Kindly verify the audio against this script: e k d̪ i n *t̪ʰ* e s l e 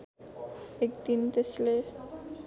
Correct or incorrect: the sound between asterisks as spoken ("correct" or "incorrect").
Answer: incorrect